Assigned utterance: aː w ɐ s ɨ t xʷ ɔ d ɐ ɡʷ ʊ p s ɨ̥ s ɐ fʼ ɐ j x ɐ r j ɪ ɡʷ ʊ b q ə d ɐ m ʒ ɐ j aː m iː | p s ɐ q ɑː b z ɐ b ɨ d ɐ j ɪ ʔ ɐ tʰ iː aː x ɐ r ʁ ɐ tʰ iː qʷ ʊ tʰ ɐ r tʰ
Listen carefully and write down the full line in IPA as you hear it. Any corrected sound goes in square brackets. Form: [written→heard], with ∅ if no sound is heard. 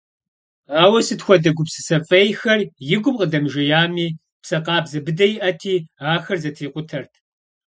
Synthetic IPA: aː w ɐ s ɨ t xʷ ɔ d ɐ ɡʷ ʊ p s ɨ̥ s ɐ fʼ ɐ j x ɐ r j ɪ ɡʷ ʊ [b→m] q ə d ɐ m ʒ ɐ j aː m iː | p s ɐ q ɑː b z ɐ b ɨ d ɐ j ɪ ʔ ɐ tʰ iː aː x ɐ r [ʁ→z] ɐ tʰ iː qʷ ʊ tʰ ɐ r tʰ

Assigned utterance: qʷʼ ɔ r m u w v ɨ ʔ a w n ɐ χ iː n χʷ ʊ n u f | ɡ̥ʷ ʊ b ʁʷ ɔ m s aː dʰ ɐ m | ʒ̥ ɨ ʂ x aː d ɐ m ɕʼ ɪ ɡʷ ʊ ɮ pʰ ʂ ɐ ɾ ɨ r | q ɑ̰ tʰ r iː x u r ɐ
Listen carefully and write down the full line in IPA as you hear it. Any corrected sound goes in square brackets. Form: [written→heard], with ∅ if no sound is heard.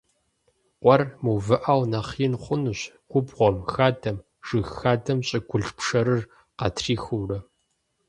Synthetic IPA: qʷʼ ɔ r m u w v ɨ ʔ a w n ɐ χ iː n χʷ ʊ n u [f→ɕ] | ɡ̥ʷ ʊ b ʁʷ ɔ m [s→x] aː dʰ ɐ m | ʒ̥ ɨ [ʂ→x] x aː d ɐ m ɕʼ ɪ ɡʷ ʊ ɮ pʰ ʂ ɐ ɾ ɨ r | q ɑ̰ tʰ r iː x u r ɐ

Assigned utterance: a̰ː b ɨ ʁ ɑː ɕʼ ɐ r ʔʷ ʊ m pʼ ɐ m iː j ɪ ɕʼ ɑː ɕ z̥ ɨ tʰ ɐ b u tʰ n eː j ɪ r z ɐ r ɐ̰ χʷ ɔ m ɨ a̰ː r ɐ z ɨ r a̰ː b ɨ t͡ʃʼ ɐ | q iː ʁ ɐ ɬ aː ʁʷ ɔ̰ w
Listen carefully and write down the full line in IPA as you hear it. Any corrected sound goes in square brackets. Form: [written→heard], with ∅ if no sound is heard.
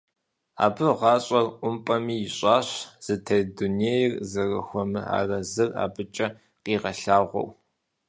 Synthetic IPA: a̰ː b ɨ ʁ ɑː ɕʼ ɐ r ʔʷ ʊ m pʼ ɐ m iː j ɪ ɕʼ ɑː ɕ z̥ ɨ tʰ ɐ [b→d] u [tʰ→∅] n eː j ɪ r z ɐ r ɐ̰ [χʷ→xʷ] ɔ m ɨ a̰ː r ɐ z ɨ r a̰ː b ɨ t͡ʃʼ ɐ | q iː ʁ ɐ ɬ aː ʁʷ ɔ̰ w

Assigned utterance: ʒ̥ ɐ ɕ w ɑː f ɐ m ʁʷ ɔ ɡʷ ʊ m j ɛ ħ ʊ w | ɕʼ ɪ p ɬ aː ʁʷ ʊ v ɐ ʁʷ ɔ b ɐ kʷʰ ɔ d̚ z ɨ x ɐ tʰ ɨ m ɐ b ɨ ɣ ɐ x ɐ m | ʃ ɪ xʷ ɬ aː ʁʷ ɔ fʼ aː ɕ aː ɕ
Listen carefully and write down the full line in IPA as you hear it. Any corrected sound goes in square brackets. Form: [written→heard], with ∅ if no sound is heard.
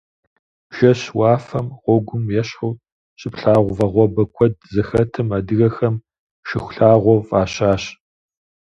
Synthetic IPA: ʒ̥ ɐ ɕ w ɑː f ɐ m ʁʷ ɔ ɡʷ ʊ m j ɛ [ħ→ɕ] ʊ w | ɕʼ ɪ p ɬ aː ʁʷ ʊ v ɐ ʁʷ ɔ b ɐ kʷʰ ɔ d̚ z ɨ x ɐ tʰ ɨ m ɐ [b→d] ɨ ɣ ɐ x ɐ m | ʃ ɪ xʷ ɬ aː ʁʷ ɔ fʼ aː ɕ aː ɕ

